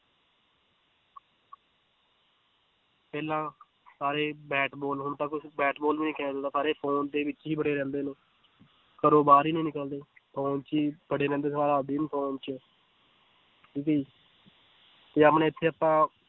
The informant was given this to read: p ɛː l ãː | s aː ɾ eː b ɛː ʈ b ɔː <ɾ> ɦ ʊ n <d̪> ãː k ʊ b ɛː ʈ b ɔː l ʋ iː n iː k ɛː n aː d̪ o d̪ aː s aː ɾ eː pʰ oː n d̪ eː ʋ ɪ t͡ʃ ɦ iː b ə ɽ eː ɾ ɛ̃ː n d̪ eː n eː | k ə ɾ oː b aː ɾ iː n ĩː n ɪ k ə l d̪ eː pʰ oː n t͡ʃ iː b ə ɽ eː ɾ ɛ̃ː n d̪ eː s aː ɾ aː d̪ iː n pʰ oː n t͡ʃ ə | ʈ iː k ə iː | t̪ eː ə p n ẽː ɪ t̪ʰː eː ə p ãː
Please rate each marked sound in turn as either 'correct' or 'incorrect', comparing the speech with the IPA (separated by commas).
incorrect, incorrect